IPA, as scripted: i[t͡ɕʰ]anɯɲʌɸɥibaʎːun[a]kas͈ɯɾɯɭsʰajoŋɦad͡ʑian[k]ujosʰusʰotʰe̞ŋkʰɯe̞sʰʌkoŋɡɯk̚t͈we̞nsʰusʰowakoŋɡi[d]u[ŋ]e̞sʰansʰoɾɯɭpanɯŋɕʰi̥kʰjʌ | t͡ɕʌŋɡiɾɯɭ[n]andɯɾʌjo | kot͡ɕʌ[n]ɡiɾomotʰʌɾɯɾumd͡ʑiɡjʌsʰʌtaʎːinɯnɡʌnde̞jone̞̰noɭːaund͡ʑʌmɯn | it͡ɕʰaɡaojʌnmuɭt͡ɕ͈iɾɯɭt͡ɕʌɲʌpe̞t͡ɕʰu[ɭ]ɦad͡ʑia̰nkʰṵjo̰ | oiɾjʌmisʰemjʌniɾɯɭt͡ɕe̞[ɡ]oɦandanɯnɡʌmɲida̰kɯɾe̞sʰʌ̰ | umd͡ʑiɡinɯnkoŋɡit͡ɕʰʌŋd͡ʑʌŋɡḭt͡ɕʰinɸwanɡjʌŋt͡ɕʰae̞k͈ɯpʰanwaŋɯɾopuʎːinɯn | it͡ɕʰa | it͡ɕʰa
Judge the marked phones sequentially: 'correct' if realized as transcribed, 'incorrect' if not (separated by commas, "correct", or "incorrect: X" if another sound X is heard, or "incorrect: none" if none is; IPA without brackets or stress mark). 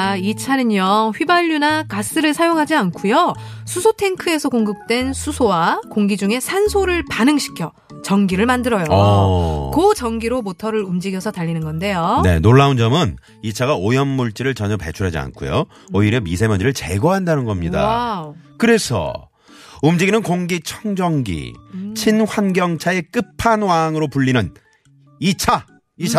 correct, correct, incorrect: kʰ, incorrect: d͡ʑ, correct, incorrect: m, incorrect: ŋ, incorrect: ɾ, correct